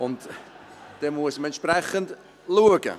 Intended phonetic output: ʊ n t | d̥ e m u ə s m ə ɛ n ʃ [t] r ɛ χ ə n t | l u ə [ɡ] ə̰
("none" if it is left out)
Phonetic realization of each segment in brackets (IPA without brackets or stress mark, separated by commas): p, ɡ